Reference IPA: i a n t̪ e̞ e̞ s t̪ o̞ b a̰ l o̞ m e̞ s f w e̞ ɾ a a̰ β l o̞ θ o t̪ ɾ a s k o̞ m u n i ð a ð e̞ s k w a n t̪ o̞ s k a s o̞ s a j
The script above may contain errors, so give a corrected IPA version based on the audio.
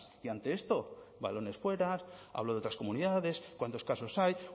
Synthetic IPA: i a n t̪ e̞ e̞ s t̪ o̞ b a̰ l o̞ n e̞ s f w e̞ ɾ a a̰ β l o̞ ð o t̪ ɾ a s k o̞ m u n i ð a ð e̞ s k w a n t̪ o̞ s k a s o̞ s a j